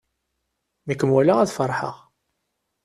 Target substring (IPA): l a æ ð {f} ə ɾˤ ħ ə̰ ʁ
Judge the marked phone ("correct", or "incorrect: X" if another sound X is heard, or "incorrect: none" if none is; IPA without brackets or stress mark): correct